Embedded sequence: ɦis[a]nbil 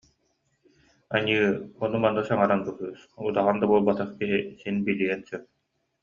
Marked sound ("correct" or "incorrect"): incorrect